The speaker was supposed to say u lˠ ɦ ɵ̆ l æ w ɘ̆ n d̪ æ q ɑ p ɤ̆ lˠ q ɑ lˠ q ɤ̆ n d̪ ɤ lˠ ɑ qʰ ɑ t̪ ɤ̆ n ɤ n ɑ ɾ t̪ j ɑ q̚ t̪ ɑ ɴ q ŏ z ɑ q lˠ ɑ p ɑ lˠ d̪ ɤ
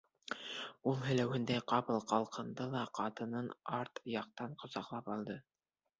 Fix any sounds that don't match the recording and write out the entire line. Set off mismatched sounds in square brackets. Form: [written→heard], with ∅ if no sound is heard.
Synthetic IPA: u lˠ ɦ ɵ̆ l æ w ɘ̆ n d̪ æ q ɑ p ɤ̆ lˠ q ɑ lˠ q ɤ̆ n d̪ ɤ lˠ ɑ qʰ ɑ t̪ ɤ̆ n ɤ n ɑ ɾ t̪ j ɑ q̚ t̪ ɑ ɴ q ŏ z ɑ q lˠ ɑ p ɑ lˠ d̪ ɤ